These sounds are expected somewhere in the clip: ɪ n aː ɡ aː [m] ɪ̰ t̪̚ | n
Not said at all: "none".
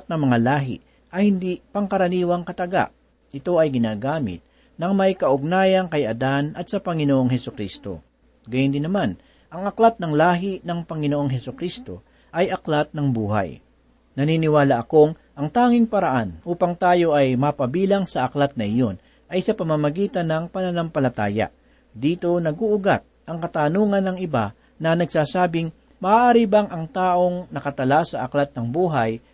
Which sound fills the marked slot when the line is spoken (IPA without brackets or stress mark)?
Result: m